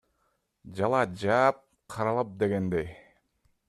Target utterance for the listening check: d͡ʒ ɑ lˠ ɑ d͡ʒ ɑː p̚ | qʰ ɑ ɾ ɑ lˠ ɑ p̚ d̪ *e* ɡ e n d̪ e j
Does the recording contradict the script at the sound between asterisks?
no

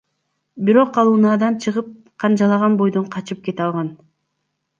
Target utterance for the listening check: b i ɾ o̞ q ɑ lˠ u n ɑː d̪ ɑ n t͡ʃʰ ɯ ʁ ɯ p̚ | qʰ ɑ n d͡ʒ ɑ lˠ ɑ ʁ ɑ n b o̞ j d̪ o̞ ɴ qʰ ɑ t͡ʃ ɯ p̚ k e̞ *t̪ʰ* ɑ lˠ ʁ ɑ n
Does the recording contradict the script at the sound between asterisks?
yes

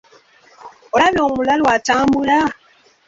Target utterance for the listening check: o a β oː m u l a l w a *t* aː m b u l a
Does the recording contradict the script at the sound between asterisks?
no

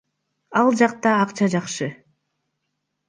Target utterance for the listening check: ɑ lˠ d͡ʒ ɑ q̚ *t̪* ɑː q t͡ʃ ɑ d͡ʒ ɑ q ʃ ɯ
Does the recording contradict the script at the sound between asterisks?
no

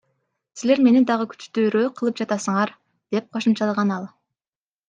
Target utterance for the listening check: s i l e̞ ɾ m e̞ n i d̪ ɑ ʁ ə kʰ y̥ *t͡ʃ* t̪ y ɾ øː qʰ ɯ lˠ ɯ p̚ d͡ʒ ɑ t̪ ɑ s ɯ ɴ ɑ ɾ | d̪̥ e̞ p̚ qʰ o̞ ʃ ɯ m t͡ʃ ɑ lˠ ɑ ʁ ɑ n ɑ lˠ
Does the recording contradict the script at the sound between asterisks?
no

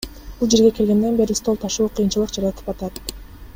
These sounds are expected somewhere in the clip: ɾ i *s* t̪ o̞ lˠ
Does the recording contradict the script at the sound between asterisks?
no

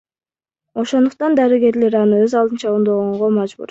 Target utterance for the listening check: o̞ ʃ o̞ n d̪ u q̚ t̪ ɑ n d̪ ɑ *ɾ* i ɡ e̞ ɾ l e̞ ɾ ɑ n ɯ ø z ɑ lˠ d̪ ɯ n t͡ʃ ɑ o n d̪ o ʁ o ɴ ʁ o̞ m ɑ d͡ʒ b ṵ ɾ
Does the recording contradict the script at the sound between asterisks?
no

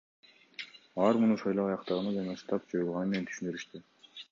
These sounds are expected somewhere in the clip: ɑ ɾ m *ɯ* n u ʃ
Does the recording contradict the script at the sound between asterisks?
yes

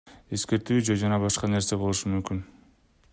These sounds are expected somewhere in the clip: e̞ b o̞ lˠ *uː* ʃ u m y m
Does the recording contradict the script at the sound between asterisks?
yes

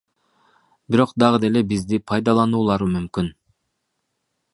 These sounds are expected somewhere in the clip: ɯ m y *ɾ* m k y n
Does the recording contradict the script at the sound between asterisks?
yes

